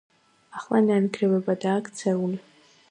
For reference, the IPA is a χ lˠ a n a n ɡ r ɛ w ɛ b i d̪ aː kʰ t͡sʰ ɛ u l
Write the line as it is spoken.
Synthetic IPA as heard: a χ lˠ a n a n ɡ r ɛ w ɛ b a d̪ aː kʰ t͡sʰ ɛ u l